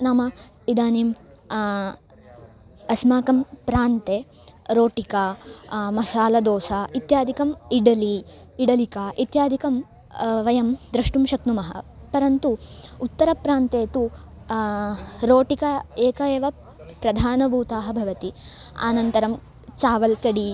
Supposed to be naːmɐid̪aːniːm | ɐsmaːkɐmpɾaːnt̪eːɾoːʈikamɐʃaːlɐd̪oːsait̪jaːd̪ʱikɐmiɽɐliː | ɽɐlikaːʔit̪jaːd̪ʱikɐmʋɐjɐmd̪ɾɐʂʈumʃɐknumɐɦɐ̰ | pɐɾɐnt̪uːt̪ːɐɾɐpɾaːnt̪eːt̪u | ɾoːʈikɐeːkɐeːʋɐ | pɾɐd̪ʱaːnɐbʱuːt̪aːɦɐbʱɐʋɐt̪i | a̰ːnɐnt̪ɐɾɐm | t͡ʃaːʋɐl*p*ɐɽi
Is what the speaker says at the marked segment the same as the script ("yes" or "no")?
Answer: no